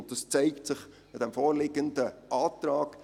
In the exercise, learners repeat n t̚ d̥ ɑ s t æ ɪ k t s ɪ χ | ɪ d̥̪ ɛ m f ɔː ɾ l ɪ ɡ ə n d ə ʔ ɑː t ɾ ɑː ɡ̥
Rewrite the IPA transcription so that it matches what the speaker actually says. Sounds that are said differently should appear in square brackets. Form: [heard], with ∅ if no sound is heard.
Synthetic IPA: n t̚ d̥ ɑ s [t͡s] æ ɪ k t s ɪ χ | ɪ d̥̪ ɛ m f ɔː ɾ l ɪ ɡ ə n d ə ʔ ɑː t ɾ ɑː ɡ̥